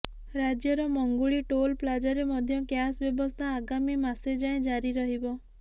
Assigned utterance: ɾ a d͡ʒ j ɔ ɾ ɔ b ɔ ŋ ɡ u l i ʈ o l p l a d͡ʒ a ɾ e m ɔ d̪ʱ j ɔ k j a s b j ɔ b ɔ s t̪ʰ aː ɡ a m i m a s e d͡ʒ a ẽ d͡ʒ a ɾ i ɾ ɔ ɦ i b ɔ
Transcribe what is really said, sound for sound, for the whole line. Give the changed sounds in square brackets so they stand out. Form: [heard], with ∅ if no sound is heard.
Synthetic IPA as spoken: ɾ a d͡ʒ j ɔ ɾ ɔ [m] ɔ ŋ ɡ u [ɭ] i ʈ o l p l a d͡ʒ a ɾ e m ɔ d̪ʱ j ɔ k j a s b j ɔ b ɔ s t̪ʰ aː ɡ a m i m a s e d͡ʒ a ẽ d͡ʒ a ɾ i ɾ ɔ ɦ i b ɔ

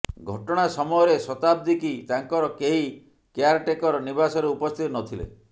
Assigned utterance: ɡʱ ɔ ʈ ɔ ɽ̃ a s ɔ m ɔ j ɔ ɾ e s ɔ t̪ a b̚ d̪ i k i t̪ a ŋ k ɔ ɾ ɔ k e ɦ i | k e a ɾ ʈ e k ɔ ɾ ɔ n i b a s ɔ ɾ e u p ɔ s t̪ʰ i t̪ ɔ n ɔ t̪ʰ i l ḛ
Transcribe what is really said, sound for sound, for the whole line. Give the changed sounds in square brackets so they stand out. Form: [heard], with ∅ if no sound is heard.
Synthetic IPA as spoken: ɡʱ ɔ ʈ ɔ ɽ̃ a s ɔ m ɔ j ɔ ɾ e s ɔ t̪ a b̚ d̪ i k i t̪ a ŋ k ɔ ɾ ɔ k e ɦ i | k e a ɾ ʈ e k ɔ ɾ ɔ n i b a s ɔ ɾ e u p ɔ s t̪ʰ i t̪ ɔ n ɔ t̪ʰ i l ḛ

